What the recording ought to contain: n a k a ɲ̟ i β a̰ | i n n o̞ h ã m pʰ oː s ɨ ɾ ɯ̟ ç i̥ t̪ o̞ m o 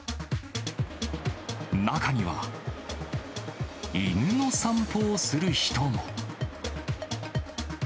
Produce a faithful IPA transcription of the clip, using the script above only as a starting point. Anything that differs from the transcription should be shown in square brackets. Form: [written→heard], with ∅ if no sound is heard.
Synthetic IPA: n a k a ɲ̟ i β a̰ | i n n o̞ [h→s] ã m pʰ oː s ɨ ɾ ɯ̟ ç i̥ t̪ o̞ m o